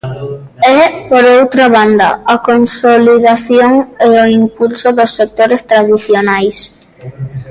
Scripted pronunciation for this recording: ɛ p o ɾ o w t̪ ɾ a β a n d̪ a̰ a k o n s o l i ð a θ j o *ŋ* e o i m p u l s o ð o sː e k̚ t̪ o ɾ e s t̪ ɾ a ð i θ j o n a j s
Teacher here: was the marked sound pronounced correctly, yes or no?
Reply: yes